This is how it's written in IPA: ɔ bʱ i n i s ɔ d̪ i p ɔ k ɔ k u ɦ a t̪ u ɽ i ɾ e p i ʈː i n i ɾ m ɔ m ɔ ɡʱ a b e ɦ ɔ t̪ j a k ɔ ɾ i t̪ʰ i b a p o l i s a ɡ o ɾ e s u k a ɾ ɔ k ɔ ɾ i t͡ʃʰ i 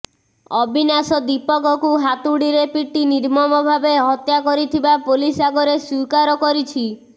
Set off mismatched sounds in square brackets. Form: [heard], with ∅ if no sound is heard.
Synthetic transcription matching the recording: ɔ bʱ i n [a] s ɔ d̪ i p ɔ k ɔ k u ɦ a t̪ u ɽ i ɾ e p i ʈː i n i ɾ m ɔ m ɔ [bʱ] a b e ɦ ɔ t̪ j a k ɔ ɾ i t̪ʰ i b a p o l i s a ɡ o ɾ e s u k a ɾ ɔ k ɔ ɾ i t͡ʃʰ i